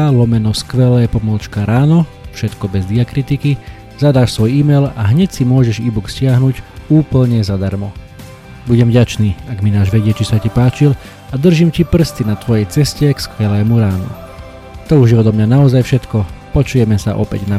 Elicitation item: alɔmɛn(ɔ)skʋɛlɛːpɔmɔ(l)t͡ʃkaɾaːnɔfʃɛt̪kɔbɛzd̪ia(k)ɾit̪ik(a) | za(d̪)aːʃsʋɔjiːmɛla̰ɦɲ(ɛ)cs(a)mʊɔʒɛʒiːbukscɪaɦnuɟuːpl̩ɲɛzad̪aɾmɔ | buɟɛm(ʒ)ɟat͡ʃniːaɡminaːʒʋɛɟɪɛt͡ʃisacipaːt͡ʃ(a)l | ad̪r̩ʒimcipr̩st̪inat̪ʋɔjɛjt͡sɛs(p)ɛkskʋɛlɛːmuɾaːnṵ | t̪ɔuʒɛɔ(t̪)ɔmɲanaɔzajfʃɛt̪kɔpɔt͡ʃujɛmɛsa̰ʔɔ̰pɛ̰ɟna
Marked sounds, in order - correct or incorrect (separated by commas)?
correct, correct, correct, incorrect, correct, correct, incorrect, incorrect, incorrect, incorrect, incorrect